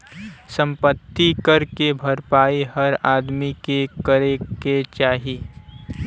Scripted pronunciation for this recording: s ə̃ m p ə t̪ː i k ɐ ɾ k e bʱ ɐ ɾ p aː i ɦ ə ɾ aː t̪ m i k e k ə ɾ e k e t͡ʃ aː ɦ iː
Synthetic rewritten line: s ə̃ m p ə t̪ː i k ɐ ɾ k e bʱ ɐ ɾ p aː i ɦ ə ɾ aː d̪ m i k e k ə ɾ e k e t͡ʃ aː ɦ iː